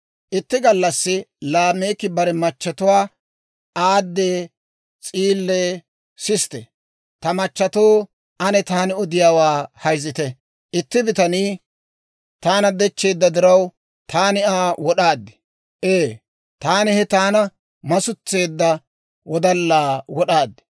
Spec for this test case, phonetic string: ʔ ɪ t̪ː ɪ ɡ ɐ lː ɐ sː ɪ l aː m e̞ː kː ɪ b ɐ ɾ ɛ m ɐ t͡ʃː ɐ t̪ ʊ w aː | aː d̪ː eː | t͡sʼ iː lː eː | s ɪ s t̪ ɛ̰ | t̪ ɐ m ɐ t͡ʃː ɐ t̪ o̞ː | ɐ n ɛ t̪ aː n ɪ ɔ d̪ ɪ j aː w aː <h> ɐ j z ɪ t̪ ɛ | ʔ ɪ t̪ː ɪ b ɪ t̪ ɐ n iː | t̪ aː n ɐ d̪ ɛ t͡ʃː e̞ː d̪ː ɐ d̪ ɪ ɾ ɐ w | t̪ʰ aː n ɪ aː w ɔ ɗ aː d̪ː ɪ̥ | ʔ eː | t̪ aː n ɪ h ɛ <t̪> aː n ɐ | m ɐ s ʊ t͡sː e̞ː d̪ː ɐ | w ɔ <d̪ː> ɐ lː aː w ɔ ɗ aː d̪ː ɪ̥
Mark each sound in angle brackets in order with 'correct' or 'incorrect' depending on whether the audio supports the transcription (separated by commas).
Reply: correct, correct, incorrect